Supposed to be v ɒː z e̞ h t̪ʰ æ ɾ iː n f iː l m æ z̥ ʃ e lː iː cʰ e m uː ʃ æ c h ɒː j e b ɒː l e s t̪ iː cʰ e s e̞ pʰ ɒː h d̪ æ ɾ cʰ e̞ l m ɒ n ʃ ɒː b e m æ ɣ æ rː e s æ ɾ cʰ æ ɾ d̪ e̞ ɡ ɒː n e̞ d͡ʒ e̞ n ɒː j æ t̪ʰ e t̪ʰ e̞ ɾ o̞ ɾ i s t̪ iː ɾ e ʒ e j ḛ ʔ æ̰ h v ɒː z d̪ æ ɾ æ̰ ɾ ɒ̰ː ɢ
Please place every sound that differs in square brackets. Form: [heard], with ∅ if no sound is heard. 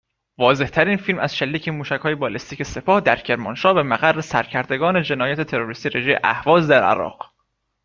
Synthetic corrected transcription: v ɒː z e̞ h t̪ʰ æ ɾ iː n f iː l m æ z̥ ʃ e lː iː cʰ e m uː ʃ æ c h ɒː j e b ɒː l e s t̪ iː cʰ e s e̞ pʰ ɒː h d̪ æ ɾ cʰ e̞ [ɾ] m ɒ n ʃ ɒː b e m æ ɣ æ rː e s æ ɾ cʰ æ ɾ d̪ e̞ ɡ ɒː n e̞ d͡ʒ e̞ n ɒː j æ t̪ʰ e t̪ʰ e̞ ɾ o̞ ɾ i s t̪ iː ɾ e ʒ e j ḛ ʔ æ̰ h v ɒː z d̪ æ ɾ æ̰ ɾ ɒ̰ː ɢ